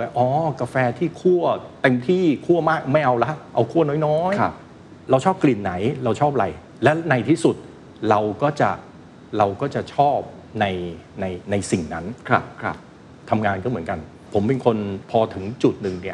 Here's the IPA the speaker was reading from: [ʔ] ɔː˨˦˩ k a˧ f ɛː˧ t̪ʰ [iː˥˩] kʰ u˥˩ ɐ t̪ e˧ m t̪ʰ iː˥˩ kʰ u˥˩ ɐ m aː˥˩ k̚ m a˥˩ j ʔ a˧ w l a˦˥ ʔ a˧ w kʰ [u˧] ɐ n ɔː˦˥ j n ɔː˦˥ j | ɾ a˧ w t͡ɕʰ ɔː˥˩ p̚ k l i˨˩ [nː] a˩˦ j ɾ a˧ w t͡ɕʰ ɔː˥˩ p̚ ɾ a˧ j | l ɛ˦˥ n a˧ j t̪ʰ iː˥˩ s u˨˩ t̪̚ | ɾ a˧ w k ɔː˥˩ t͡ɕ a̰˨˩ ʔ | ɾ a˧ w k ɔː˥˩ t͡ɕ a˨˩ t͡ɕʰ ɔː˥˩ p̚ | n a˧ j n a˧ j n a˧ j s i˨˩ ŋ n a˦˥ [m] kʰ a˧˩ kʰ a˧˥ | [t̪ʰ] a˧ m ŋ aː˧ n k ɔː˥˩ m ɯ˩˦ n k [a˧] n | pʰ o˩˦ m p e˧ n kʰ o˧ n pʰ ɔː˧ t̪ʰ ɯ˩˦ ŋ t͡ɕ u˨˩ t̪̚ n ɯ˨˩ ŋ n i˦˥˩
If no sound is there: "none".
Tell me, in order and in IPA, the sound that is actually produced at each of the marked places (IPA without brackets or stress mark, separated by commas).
ʔ, iː˥˩, u˥˩, nː, n, t̪ʰ, a˧